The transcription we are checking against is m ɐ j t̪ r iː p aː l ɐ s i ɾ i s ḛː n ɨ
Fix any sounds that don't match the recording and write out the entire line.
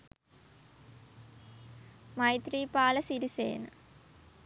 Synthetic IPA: m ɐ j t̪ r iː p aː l ɐ s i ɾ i s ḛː n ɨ